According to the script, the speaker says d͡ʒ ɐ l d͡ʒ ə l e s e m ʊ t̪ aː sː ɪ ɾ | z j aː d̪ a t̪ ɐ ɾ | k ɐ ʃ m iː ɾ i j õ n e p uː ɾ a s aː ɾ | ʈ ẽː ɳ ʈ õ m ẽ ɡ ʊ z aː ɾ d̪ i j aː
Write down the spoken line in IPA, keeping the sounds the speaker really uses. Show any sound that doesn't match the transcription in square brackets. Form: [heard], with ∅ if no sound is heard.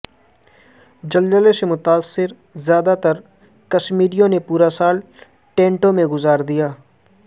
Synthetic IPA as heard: d͡ʒ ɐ l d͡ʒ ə l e s e m ʊ t̪ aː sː ɪ ɾ | z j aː d̪ a t̪ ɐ ɾ | k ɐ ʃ m iː ɾ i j õ n e p uː ɾ a s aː [l] | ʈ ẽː ɳ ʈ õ m ẽ ɡ ʊ z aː ɾ d̪ i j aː